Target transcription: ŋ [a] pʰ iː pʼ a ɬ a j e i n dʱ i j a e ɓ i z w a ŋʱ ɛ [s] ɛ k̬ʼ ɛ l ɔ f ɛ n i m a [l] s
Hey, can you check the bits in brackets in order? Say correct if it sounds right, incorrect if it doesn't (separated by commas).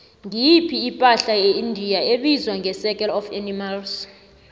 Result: incorrect, correct, correct